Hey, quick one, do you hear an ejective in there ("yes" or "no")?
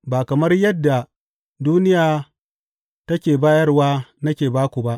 no